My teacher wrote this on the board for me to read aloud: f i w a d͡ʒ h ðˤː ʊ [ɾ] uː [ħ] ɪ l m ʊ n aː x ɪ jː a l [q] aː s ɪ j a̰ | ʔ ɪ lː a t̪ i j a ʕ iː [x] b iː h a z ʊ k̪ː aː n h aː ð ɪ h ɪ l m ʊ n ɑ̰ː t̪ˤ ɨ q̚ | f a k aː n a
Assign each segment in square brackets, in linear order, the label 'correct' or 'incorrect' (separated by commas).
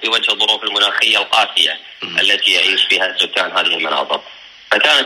correct, incorrect, correct, incorrect